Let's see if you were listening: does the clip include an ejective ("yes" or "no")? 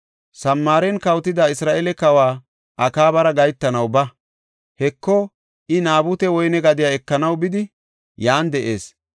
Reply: no